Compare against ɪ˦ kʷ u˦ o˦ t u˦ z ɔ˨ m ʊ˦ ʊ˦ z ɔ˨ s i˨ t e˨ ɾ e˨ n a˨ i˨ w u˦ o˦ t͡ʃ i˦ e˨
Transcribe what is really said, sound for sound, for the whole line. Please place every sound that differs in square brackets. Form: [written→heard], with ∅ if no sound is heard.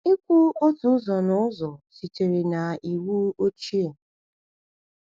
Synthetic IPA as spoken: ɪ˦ kʷ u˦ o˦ t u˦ z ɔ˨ [m→n] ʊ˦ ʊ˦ z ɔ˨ s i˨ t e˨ ɾ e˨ n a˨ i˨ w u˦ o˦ t͡ʃ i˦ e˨